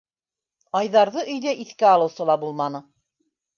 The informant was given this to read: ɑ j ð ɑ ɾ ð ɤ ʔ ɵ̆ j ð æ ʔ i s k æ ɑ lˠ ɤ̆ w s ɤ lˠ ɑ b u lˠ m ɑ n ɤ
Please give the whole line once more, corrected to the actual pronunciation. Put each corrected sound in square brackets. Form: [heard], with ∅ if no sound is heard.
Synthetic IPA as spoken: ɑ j ð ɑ ɾ ð ɤ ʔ ɵ̆ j ð æ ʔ i [θ] k æ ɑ lˠ ɤ̆ w s ɤ lˠ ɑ b u lˠ m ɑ n ɤ